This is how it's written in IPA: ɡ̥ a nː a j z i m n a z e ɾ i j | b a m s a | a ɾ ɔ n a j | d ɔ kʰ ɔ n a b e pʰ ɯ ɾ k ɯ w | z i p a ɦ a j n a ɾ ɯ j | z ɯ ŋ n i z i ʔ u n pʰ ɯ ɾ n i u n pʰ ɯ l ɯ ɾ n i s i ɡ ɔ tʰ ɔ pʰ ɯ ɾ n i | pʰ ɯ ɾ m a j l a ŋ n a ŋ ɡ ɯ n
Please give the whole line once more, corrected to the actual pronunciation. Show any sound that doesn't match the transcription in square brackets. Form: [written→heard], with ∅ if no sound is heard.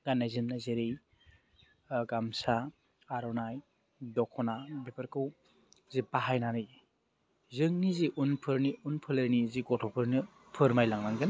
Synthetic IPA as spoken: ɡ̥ a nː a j z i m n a z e ɾ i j | [b→ɡ] a m s a | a ɾ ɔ n a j | d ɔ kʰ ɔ n a b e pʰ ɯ ɾ k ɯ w | z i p a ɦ a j n a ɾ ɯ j | z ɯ ŋ n i z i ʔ u n pʰ ɯ ɾ n i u n pʰ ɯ l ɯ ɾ n i [s→z] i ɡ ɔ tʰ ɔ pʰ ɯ ɾ n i | pʰ ɯ ɾ m a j l a ŋ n a ŋ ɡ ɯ n

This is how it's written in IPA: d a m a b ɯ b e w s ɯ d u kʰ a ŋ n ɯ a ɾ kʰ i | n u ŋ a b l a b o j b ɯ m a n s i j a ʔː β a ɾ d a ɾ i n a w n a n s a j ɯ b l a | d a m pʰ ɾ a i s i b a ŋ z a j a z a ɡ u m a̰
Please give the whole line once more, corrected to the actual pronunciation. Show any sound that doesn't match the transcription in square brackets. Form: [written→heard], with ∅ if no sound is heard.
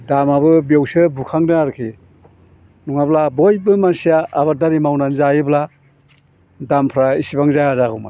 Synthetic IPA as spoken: d a m a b ɯ b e w s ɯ [d→b] u kʰ a ŋ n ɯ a ɾ kʰ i | n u ŋ a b l a b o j b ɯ m a n s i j a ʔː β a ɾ d a ɾ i [n→m] a w n a n [s→z] a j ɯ b l a | d a m pʰ ɾ a i s i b a ŋ z a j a z a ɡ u m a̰

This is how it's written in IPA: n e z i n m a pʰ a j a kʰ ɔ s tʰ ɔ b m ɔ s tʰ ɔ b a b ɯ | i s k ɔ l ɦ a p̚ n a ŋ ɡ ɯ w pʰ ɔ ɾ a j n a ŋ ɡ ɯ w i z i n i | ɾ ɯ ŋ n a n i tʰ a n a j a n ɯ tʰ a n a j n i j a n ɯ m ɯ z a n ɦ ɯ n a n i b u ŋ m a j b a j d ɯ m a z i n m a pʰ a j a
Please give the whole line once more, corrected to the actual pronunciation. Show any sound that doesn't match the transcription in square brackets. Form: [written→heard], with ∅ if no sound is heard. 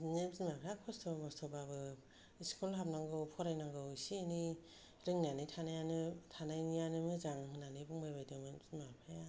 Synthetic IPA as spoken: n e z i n m a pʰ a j a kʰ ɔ s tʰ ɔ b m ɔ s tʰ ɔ b a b ɯ | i s k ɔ l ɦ a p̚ n a ŋ ɡ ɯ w pʰ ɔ ɾ a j n a ŋ ɡ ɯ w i [z→s] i n i | ɾ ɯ ŋ n a n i tʰ a n a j a n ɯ tʰ a n a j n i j a n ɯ m ɯ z a [n→ŋ] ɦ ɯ n a n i b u ŋ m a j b a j d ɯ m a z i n m a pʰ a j a

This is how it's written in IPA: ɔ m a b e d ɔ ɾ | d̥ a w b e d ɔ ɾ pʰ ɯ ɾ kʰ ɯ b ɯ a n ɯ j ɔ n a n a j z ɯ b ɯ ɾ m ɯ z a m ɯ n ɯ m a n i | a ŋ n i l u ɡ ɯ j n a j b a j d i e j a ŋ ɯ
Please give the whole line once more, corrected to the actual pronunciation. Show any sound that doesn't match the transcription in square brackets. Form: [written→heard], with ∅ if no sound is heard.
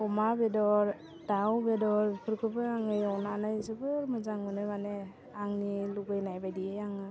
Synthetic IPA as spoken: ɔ m a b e d ɔ ɾ | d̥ a w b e d ɔ ɾ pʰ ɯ ɾ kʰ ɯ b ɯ a [n→ŋ] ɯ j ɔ n a n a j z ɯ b ɯ ɾ m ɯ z a [m→ŋ] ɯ n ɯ m a n [i→e] | a ŋ n i l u ɡ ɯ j n a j b a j d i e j a ŋ ɯ

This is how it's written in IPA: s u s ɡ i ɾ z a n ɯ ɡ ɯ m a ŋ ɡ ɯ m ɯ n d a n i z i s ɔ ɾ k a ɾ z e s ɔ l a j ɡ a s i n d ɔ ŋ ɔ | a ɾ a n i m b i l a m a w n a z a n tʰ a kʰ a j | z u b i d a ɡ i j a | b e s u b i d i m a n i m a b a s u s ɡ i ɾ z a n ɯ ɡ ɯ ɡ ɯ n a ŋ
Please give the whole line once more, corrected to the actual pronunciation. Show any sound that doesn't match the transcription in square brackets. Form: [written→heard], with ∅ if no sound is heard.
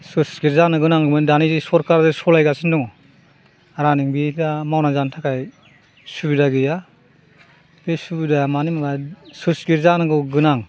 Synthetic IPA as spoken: s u s ɡ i ɾ z a n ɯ ɡ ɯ [m→n] a ŋ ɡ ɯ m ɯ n d a n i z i s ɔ ɾ k a ɾ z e s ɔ l a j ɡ a s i n d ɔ ŋ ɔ | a ɾ a n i [m→ŋ] b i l a m a w n a z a n tʰ a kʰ a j | [z→s] u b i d a ɡ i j a | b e s u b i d [i→a] m a n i m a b a s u s ɡ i ɾ z a n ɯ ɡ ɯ ɡ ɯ n a ŋ

